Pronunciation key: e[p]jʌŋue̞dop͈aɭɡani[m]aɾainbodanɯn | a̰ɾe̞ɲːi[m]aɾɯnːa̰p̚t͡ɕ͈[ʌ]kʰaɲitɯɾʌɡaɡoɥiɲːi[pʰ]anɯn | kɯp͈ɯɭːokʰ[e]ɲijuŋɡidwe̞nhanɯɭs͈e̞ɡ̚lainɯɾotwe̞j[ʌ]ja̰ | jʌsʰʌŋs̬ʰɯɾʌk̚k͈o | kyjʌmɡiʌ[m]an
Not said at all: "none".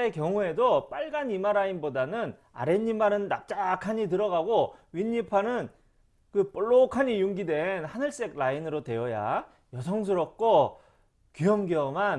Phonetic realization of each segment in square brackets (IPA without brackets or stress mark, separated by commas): k, m, m, a, pʰ, a, ʌ, m